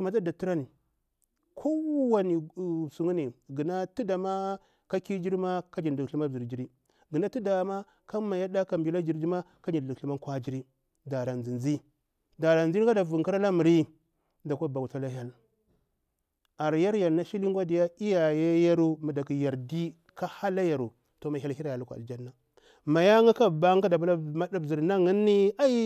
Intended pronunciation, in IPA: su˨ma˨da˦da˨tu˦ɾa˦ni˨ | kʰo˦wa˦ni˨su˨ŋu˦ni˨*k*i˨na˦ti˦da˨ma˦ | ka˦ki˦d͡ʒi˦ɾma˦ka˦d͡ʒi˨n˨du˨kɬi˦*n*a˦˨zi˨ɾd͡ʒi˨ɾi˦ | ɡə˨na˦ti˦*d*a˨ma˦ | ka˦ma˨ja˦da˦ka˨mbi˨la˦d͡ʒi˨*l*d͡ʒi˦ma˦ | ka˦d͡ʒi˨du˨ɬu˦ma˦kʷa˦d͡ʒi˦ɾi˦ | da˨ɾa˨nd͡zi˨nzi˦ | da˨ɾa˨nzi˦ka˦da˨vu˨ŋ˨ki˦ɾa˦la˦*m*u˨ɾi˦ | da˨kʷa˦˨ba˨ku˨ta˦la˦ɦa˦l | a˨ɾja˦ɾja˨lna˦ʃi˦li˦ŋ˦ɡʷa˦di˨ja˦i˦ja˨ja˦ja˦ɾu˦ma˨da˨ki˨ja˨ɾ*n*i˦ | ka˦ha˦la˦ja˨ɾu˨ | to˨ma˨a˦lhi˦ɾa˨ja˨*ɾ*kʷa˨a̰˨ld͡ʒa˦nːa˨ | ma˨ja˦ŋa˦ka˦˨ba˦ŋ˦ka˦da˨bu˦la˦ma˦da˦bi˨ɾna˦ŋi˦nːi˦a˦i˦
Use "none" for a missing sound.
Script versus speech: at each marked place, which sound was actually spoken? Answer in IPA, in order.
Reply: ɡ, m, d, ɾ, m, d, l

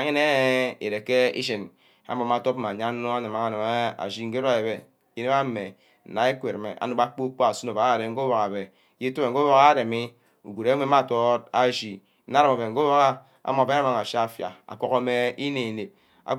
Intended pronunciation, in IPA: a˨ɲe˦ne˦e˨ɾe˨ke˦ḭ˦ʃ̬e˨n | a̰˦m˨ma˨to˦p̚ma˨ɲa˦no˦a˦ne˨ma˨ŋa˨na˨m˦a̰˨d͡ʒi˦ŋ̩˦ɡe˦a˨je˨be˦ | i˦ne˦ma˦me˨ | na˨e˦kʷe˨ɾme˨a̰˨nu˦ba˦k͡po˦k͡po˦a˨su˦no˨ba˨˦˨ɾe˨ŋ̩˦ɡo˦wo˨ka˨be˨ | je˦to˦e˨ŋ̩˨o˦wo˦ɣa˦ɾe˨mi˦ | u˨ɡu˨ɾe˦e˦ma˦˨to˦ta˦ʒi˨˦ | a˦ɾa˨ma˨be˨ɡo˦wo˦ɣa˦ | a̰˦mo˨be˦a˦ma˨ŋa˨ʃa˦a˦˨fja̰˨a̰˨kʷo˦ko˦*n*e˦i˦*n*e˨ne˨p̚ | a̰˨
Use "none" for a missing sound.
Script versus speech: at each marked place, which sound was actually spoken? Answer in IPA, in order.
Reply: m, n

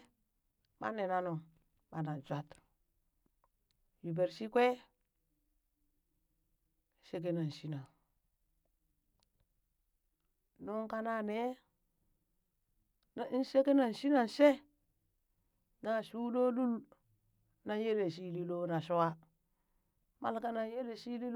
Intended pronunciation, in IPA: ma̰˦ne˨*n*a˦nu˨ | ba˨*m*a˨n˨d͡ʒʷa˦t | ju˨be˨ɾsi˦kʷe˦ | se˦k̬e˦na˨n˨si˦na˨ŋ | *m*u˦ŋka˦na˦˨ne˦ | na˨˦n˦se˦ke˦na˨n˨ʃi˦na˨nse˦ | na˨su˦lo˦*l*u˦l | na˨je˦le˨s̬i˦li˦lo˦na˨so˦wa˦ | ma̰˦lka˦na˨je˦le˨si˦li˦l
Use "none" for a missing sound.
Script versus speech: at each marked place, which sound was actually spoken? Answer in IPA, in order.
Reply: n, n, n, l

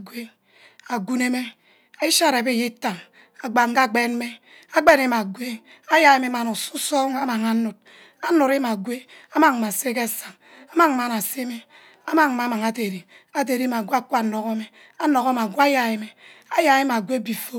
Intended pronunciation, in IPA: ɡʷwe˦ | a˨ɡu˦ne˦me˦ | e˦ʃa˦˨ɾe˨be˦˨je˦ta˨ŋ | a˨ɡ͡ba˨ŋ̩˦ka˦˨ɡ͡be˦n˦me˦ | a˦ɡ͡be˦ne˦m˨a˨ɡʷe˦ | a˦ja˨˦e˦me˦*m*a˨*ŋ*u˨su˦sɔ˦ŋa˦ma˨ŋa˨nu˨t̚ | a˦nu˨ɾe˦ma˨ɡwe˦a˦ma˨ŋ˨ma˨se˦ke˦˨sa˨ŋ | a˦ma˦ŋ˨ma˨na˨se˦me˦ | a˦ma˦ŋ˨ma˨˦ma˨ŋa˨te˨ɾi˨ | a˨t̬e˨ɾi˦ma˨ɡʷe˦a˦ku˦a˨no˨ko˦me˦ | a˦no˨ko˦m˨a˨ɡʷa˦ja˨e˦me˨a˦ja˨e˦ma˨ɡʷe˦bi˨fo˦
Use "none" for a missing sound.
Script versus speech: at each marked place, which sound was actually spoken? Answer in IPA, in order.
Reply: m, n

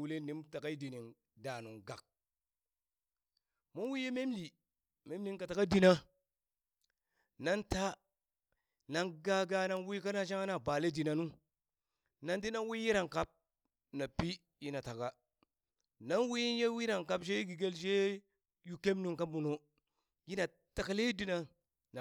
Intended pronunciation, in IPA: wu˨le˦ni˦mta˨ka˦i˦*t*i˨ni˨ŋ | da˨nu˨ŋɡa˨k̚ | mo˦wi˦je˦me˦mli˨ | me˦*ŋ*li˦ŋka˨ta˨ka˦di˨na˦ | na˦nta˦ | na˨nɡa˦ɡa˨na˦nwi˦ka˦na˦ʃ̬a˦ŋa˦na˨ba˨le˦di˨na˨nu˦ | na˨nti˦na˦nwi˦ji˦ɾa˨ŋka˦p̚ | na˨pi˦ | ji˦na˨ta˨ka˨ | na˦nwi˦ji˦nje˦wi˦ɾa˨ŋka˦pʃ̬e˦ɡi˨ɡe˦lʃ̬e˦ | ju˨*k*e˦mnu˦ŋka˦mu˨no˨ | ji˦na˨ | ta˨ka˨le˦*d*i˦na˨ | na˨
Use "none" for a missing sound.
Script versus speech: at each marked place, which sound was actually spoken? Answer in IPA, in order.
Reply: d, m, k, d

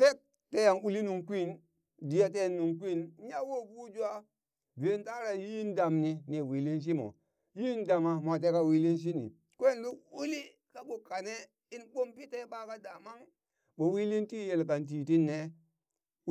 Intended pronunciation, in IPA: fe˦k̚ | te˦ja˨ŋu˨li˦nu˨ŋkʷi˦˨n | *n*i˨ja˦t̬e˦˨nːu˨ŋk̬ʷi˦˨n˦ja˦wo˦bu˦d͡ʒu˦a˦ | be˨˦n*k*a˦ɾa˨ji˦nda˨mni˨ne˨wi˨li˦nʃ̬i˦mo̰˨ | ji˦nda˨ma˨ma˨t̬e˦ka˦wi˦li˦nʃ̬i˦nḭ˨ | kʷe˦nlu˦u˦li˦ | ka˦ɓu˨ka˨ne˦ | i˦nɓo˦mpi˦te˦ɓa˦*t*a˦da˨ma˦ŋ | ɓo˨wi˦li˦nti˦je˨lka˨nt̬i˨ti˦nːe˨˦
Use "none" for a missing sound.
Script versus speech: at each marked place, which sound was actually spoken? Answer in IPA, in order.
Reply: d, t, k

